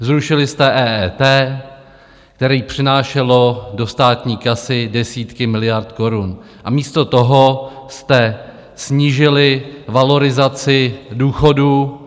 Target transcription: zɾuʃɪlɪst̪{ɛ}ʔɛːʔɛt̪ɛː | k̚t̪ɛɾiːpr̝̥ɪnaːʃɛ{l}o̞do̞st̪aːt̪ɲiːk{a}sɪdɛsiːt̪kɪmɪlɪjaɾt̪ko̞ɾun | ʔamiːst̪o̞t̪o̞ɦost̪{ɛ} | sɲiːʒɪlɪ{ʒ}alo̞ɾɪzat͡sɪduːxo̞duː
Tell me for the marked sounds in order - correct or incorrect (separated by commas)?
correct, correct, correct, correct, incorrect